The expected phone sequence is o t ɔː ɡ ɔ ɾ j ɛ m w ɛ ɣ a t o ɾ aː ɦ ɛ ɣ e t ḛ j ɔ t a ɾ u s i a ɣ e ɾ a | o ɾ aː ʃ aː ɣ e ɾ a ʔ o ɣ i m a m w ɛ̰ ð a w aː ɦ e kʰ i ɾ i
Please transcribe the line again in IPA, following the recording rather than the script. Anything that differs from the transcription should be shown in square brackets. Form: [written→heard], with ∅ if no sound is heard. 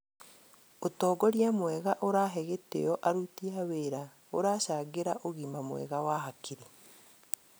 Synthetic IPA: o t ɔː ɡ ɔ ɾ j [ɛ→a] m w ɛ ɣ a [t→ʔ] o ɾ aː ɦ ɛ ɣ e t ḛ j ɔ [t→ʔ] a ɾ u [s→t] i a [ɣ→w] e ɾ a | o ɾ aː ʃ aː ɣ e ɾ a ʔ o ɣ i m a m w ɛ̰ [ð→ɣ] a w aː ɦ [e→a] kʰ i ɾ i